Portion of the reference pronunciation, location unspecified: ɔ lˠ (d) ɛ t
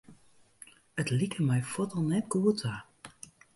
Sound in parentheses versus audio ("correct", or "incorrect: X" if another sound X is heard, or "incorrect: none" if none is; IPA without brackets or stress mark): incorrect: n